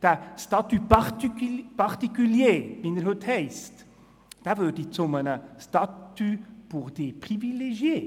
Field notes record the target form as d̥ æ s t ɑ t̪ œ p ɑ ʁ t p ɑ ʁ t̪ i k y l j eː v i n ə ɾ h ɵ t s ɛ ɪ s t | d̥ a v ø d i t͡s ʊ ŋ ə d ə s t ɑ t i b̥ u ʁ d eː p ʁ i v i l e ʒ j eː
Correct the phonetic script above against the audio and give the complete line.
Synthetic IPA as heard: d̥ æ s t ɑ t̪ y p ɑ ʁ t p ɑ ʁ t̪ i k y l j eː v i n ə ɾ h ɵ t h ɛ ɪ s t | d̥ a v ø d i t͡s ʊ m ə n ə s t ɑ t y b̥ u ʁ d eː p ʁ i v i l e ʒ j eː